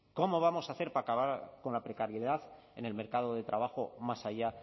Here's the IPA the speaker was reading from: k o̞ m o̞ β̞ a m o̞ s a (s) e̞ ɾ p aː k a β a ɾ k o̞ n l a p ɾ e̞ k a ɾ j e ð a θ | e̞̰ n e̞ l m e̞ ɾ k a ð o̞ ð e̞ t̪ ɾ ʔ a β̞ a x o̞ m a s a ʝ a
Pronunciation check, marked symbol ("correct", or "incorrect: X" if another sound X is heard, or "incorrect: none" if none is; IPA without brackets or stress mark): incorrect: θ